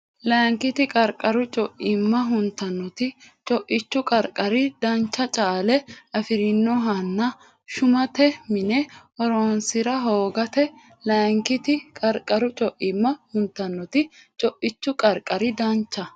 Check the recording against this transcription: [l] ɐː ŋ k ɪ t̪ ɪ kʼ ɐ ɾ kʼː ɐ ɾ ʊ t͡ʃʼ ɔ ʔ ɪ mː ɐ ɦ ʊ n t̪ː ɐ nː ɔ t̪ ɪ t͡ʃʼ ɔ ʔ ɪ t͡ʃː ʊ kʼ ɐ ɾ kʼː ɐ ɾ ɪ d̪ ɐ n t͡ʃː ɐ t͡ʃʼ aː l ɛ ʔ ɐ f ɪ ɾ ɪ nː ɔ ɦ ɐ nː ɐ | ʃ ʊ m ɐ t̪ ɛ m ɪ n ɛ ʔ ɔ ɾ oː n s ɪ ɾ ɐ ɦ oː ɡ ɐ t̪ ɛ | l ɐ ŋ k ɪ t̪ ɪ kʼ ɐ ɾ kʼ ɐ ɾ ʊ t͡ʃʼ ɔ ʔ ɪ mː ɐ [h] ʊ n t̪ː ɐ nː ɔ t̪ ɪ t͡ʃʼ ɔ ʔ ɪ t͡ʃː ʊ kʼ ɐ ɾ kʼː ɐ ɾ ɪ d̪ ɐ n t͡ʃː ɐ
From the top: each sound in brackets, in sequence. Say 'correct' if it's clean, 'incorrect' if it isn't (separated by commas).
correct, correct